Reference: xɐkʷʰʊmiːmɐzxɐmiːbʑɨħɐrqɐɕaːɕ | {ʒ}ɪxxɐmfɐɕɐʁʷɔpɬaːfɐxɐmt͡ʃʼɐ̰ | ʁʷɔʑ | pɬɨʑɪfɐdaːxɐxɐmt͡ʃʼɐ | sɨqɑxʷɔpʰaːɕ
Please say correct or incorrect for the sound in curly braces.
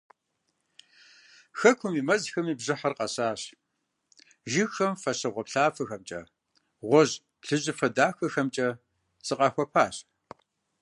correct